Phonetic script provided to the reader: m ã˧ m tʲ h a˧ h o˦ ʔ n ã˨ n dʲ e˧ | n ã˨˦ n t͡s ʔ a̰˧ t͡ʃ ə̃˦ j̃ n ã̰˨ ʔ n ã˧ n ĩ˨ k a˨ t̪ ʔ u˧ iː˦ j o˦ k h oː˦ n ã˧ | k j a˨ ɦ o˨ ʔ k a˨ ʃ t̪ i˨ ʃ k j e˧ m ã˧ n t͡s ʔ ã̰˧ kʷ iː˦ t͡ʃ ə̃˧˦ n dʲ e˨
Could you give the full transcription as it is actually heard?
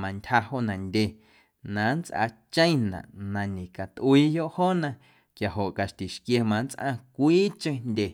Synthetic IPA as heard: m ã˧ n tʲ h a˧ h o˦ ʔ n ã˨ n dʲ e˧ | n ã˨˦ n t͡s ʔ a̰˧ t͡ʃ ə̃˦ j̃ n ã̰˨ ʔ n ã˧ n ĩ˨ k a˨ t̪ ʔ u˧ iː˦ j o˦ ʔ h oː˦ n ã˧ | k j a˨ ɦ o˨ ʔ k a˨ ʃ t̪ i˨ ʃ k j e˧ m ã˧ n t͡s ʔ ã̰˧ kʷ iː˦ t͡ʃ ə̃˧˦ n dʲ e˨